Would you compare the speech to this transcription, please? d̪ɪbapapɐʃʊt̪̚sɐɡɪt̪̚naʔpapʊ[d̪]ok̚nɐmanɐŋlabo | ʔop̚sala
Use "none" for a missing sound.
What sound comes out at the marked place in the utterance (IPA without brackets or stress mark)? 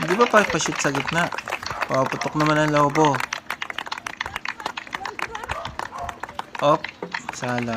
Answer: t̪